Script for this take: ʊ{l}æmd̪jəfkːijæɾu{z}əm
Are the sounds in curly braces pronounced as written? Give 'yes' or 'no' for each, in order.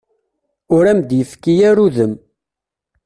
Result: no, no

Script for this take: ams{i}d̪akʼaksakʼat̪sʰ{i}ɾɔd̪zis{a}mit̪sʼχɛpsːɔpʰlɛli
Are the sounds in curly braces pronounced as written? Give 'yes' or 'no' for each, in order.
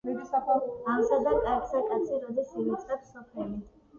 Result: no, yes, no

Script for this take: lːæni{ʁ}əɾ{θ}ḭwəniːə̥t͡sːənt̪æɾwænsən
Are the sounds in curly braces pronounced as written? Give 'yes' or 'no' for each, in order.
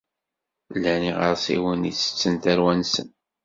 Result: yes, no

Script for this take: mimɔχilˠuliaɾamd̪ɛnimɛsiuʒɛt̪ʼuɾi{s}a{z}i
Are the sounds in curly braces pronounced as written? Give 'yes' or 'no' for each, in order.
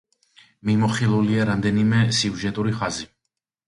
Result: no, yes

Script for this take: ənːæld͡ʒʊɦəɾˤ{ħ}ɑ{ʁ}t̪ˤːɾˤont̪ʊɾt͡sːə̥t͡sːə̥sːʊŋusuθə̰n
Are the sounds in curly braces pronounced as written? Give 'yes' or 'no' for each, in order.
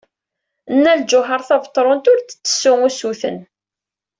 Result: no, no

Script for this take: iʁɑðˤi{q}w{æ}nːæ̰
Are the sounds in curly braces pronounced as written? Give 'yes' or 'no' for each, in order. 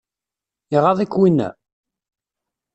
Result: no, no

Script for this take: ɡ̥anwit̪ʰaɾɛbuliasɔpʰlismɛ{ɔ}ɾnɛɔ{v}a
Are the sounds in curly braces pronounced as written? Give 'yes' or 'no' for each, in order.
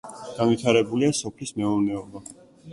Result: yes, no

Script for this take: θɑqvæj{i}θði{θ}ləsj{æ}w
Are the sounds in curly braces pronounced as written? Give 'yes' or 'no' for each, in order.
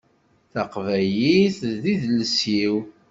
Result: yes, no, no

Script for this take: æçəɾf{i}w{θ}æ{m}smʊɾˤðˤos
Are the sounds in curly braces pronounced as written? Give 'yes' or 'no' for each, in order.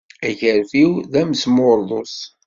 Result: yes, no, yes

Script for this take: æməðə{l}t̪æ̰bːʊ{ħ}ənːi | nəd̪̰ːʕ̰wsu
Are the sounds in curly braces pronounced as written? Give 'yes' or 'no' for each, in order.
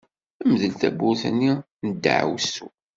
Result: yes, no

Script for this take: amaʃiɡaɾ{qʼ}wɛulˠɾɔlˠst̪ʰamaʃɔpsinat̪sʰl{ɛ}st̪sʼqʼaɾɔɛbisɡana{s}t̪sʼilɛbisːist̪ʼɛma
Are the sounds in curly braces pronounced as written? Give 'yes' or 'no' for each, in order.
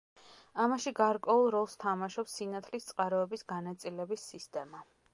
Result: no, no, no

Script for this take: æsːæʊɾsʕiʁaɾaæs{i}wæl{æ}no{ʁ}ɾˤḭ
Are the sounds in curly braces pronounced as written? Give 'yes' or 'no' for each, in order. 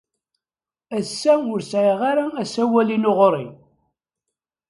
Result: no, no, yes

